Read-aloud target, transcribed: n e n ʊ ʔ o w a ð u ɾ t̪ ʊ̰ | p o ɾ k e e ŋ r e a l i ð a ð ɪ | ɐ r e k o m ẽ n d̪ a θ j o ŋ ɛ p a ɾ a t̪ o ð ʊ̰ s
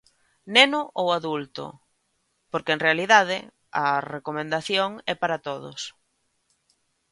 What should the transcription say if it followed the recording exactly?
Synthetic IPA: n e n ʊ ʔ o w a ð u l t̪ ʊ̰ | p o ɾ k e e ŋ r e a l i ð a ð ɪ | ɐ r e k o m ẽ n d̪ a θ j o ŋ ɛ p a ɾ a t̪ o ð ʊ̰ s